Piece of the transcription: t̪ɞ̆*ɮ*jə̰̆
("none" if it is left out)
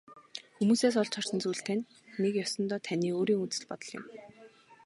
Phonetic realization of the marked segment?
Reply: ɮ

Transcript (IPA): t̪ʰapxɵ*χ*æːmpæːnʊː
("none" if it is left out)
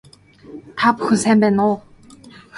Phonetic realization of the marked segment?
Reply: s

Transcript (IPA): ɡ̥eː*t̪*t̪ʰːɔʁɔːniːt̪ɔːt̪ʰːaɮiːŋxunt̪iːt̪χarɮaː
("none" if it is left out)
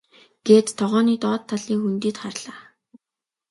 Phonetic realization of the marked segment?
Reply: t̪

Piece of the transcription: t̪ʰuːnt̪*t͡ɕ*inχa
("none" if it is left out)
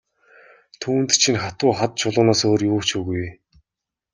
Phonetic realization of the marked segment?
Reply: t͡ɕʰ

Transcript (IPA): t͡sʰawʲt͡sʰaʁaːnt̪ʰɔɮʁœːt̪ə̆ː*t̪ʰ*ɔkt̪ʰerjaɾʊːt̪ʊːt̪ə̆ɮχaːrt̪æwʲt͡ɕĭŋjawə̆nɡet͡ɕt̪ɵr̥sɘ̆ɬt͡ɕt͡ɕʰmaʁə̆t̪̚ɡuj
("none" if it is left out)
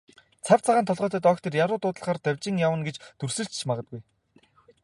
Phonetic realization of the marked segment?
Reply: t̪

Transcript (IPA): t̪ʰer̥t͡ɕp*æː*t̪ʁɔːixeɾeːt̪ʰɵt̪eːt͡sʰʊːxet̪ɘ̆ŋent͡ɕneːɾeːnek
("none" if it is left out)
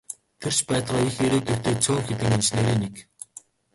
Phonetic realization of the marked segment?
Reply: æː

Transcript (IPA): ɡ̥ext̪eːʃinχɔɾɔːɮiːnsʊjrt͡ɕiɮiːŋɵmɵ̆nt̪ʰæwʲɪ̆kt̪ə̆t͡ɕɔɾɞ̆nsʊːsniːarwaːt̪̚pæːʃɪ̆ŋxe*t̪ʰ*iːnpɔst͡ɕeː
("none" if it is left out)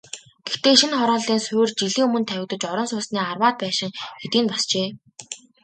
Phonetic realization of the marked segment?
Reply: t̪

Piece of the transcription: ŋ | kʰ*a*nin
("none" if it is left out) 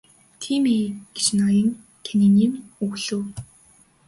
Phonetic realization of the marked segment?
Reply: e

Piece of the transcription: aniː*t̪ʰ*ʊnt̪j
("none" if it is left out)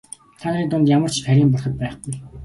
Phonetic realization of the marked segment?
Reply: t̪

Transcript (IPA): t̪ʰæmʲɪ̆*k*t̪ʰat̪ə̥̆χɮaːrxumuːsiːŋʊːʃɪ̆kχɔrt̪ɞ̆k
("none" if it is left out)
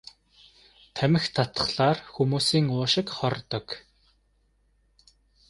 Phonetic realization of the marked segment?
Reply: x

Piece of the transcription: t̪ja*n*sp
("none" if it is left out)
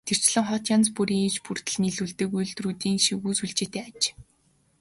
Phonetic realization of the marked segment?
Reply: n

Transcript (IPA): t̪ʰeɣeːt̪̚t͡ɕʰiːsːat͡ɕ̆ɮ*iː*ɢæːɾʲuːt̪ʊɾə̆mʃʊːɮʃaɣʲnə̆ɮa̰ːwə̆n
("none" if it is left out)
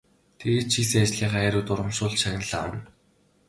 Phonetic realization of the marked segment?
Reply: iː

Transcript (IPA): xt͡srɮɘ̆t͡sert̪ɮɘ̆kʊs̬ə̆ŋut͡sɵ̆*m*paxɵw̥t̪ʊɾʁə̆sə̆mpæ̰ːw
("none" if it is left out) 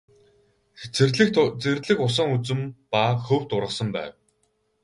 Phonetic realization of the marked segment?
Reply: m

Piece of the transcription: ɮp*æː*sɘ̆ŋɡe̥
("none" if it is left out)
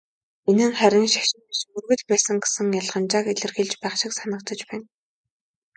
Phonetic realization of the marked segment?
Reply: æː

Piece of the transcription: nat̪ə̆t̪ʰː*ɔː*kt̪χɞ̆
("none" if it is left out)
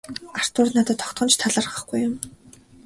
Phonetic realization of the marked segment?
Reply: ɔ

